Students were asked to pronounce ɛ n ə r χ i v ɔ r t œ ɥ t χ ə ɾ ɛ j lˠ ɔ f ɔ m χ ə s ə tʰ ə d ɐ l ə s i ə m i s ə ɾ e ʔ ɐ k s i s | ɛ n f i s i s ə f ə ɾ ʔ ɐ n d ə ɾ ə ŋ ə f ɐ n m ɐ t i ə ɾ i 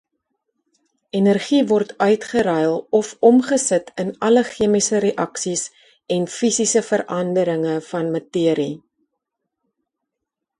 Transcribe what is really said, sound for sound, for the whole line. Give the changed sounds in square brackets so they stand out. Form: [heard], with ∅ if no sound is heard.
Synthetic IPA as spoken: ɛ n ə r χ i v ɔ r t œ ɥ t χ ə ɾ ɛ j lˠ ɔ f ɔ m χ ə s ə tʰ ə [n] ɐ l ə [χ] i ə m i s ə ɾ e ʔ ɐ k s i s | ɛ n f i s i s ə f ə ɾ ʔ ɐ n d ə ɾ ə ŋ ə f ɐ n m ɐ t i ə ɾ i